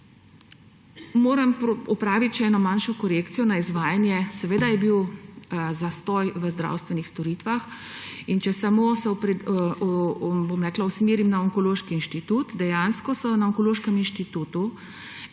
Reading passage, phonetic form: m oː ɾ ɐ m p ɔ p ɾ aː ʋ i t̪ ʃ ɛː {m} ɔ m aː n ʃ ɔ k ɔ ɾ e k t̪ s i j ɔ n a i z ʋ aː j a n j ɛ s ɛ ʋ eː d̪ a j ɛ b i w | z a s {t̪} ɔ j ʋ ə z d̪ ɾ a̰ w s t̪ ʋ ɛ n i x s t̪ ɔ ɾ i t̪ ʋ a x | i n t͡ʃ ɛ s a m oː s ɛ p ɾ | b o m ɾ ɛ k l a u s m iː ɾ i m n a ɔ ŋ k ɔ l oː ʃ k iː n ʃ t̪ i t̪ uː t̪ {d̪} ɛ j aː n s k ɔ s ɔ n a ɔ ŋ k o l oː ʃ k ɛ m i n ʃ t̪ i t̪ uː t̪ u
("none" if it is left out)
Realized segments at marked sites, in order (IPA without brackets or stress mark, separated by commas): n, t̪, d̪